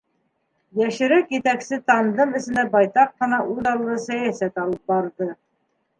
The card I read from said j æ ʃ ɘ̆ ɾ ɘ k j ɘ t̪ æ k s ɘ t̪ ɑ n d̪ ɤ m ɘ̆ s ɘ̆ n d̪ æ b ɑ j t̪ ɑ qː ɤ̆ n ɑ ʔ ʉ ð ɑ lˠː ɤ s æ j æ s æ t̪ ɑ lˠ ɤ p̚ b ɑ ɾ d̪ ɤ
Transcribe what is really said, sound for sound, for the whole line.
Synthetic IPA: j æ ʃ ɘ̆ ɾ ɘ k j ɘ t̪ æ k s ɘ t̪ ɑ n d̪ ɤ m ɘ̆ s ɘ̆ n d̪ æ b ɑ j t̪ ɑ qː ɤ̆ n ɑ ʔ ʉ ð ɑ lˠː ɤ s æ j æ s æ t̪ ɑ lˠ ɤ p̚ b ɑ ɾ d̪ ɤ